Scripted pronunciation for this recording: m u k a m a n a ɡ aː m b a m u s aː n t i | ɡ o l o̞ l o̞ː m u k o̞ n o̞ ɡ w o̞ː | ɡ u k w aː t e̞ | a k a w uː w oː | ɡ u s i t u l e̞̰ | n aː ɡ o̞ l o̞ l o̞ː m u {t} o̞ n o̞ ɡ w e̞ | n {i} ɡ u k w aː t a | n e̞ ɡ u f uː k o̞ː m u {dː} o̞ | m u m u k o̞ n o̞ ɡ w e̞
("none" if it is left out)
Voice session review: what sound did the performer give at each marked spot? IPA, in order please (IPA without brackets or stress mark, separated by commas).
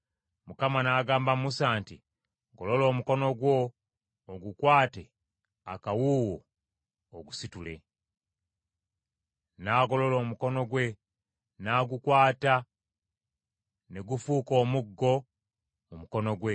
k, a, ɡː